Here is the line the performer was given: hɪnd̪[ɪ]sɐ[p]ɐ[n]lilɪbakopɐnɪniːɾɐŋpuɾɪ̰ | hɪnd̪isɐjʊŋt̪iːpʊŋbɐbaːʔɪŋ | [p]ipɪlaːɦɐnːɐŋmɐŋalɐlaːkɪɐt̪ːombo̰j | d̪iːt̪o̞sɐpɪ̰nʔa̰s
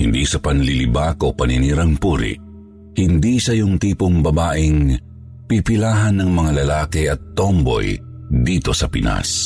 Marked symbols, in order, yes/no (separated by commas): no, yes, yes, yes